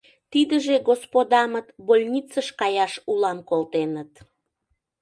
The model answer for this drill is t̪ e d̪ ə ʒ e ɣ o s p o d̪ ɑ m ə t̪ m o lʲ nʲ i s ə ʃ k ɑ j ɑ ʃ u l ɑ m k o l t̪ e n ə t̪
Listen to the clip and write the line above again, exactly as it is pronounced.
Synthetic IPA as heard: t̪ i d̪ ə ʒ e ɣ o s p o d̪ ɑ m ə t̪ b o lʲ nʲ i t͡s ə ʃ k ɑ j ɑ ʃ u l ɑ m k o l t̪ e n ə t̪